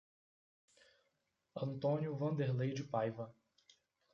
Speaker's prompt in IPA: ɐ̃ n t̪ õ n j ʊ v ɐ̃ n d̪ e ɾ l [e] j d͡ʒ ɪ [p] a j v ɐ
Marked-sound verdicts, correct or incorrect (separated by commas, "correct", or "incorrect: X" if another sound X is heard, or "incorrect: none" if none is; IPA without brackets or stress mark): correct, correct